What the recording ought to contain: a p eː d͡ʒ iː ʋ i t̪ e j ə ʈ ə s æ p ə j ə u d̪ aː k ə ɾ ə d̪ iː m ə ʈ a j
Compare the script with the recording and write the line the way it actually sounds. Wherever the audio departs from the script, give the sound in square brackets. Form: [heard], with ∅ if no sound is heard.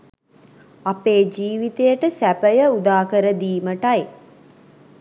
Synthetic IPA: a p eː d͡ʒ iː ʋ i t̪ e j ə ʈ ə s æ p ə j ə u d̪ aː k ə ɾ ə d̪ iː m ə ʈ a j